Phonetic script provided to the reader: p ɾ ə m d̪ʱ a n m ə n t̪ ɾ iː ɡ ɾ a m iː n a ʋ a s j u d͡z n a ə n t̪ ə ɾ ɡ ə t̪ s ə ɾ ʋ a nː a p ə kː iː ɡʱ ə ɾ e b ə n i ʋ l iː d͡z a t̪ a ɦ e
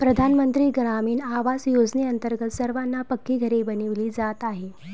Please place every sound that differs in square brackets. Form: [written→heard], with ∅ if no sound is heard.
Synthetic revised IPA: p ɾ ə [m→∅] d̪ʱ a n m ə n t̪ ɾ iː ɡ ɾ a m iː n a ʋ a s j [u→o] d͡z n [a→e] ə n t̪ ə ɾ ɡ ə t̪ s ə ɾ ʋ a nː a p ə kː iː ɡʱ ə ɾ e b ə n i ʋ l iː d͡z a t̪ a ɦ e